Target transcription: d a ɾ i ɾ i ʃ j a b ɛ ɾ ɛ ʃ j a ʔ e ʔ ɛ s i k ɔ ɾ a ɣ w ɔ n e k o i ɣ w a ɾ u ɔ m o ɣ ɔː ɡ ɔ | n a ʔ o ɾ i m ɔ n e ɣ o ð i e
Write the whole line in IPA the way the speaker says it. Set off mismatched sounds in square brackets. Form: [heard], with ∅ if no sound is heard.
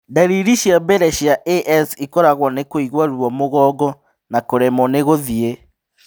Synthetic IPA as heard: d a ɾ i ɾ i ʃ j a b ɛ ɾ ɛ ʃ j a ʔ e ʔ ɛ s i k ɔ ɾ a ɣ w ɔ n e k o i ɣ w a ɾ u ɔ m o ɣ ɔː ɡ ɔ | n a [k] o ɾ [ɛ] m ɔ n e ɣ o ð i e